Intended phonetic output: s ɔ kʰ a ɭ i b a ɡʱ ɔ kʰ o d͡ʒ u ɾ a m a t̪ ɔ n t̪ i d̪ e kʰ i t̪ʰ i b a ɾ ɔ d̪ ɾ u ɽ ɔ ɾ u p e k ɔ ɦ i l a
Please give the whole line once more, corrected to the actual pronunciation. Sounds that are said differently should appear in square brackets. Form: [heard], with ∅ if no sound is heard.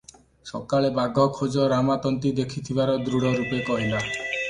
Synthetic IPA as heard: s ɔ [k] a ɭ [e] b a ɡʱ ɔ kʰ o d͡ʒ [ɔ] ɾ a m a t̪ ɔ n t̪ i d̪ e kʰ i t̪ʰ i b a ɾ ɔ d̪ ɾ u ɽ ɔ ɾ u p e k ɔ ɦ i l a

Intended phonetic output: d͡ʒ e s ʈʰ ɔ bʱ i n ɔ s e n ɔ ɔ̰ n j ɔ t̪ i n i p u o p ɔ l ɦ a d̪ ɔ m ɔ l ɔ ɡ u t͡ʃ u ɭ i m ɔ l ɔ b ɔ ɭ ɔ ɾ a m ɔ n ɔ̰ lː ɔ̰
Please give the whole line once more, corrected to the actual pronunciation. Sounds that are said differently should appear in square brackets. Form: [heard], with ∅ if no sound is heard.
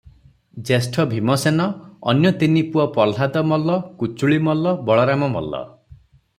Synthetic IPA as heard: d͡ʒ e s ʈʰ ɔ bʱ i [m] ɔ s e n ɔ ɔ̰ n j ɔ t̪ i n i p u [ɔ] p ɔ l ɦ a d̪ ɔ m ɔ l ɔ [k] u t͡ʃ u ɭ i m ɔ l ɔ b ɔ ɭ ɔ ɾ a m ɔ [m] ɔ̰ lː ɔ̰

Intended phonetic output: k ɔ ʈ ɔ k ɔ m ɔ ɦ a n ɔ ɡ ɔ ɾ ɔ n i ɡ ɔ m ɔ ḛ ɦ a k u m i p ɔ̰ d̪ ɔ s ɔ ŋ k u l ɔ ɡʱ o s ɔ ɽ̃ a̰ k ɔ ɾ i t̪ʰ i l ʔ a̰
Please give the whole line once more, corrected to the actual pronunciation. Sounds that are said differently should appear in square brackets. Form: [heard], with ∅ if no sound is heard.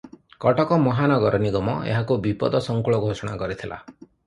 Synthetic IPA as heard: k ɔ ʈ ɔ k ɔ m ɔ ɦ a n ɔ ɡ ɔ ɾ ɔ n i ɡ ɔ m ɔ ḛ ɦ a k u [b] i p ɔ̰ d̪ ɔ s ɔ ŋ k u [ɭ] ɔ ɡʱ o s ɔ ɽ̃ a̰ k ɔ ɾ i t̪ʰ i l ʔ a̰

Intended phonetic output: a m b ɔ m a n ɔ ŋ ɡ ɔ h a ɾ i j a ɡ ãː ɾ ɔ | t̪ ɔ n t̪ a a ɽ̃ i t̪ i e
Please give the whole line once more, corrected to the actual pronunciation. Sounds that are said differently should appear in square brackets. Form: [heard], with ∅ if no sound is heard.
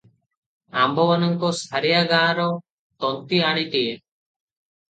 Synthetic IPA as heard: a m b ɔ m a n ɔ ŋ [k] ɔ [s] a ɾ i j a ɡ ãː ɾ ɔ | t̪ ɔ n t̪ [i] a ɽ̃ i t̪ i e

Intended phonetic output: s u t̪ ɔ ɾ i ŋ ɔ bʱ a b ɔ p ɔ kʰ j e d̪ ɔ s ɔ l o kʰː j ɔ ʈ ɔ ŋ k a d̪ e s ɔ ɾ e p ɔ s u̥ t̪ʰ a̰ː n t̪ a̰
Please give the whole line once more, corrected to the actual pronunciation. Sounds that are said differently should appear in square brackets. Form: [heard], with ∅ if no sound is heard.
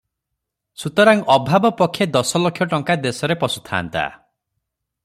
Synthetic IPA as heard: s u t̪ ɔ ɾ [a] ŋ ɔ bʱ a b ɔ p ɔ kʰ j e d̪ ɔ s ɔ l o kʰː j ɔ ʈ ɔ ŋ k a d̪ e s ɔ ɾ e p ɔ s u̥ t̪ʰ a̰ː n t̪ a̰

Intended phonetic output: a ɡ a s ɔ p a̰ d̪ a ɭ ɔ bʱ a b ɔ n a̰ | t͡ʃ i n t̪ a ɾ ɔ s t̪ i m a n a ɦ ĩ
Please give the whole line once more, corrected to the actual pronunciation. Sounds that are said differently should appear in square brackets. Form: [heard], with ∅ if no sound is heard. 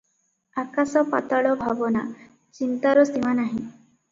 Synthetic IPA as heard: a [k] a s ɔ p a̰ [t̪] a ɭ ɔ bʱ a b ɔ n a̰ | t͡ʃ i n t̪ a ɾ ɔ s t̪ i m a n a ɦ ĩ

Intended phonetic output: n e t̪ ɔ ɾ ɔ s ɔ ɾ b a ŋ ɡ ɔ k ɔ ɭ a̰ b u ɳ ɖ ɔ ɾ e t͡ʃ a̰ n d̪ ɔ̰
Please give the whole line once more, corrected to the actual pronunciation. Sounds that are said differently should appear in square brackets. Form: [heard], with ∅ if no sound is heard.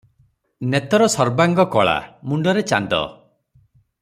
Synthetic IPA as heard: n e t̪ ɔ ɾ ɔ s ɔ ɾ b a ŋ ɡ ɔ k ɔ ɭ a̰ [m] u ɳ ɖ ɔ ɾ e t͡ʃ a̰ n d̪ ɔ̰

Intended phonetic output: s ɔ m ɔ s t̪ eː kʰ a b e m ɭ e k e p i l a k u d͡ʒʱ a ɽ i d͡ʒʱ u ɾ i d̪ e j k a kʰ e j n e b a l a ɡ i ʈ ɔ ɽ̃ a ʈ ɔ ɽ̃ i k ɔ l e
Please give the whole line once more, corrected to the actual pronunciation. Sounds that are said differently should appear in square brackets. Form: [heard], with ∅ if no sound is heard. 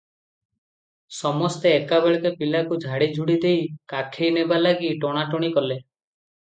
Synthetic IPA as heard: s ɔ m ɔ s t̪ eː [k] a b e [∅] ɭ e k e p i l a k u d͡ʒʱ a ɽ i d͡ʒʱ u [ɽ] i d̪ e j k a kʰ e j n e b a l a ɡ i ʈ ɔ ɽ̃ a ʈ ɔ ɽ̃ i k ɔ l e

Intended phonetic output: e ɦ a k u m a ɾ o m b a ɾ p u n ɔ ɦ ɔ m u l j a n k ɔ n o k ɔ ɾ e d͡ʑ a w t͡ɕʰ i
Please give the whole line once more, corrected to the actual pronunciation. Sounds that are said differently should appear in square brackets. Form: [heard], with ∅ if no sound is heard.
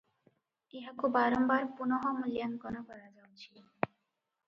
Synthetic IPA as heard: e ɦ a k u [b] a ɾ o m b a ɾ p u n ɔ ɦ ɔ m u l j a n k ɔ n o k ɔ ɾ [a] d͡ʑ a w t͡ɕʰ i

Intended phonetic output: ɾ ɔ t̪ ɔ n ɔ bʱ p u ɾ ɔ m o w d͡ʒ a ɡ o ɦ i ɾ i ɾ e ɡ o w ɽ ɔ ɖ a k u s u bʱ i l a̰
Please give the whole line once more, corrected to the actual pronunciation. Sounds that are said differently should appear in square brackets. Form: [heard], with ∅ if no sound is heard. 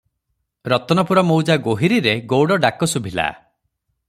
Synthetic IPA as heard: ɾ ɔ t̪ ɔ n ɔ [∅] p u ɾ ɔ m o w d͡ʒ a ɡ o ɦ i ɾ i ɾ e ɡ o w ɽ ɔ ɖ a k [ɔ] s u bʱ i l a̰

